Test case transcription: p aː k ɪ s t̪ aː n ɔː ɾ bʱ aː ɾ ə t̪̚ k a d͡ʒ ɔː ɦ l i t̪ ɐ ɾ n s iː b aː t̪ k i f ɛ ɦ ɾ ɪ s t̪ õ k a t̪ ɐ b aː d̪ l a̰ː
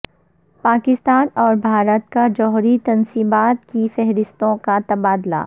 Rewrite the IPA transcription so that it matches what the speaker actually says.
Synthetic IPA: p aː k ɪ s t̪ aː n ɔː ɾ bʱ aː ɾ ə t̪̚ k a d͡ʒ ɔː ɦ ɾ i t̪ ɐ n s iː b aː t̪ k i f ɛ ɦ ɾ ɪ s t̪ õ k a t̪ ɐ b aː d̪ l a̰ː